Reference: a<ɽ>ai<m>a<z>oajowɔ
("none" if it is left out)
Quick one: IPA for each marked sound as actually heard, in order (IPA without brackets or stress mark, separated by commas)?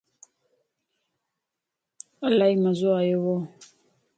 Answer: l, m, z